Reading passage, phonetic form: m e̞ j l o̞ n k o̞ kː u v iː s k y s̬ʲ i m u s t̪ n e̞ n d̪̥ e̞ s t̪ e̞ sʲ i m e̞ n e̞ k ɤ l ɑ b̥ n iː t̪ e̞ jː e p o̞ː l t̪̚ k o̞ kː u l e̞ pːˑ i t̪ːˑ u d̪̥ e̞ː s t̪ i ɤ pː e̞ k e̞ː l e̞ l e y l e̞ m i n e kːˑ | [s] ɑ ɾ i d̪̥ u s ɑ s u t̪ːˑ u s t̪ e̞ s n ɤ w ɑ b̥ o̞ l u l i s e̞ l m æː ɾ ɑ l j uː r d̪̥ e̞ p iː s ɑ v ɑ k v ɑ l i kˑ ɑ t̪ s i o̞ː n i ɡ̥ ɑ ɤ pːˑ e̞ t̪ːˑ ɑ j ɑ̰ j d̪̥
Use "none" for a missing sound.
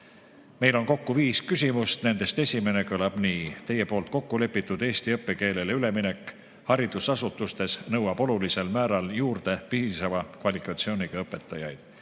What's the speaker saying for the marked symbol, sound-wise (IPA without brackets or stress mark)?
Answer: h